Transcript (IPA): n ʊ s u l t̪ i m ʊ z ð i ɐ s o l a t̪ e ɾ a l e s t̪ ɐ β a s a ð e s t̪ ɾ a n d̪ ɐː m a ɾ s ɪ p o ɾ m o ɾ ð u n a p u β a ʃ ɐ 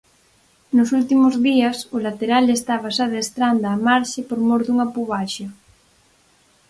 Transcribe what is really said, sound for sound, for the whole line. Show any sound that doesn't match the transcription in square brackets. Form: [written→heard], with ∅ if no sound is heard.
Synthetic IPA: n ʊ s u l t̪ i m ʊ z ð i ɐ s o l a t̪ e ɾ a l e s t̪ [ɐ→a] β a s a ð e s t̪ ɾ a n d̪ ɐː m a ɾ [s→ʃ] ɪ p o ɾ m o ɾ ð u [n→ŋ] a p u β a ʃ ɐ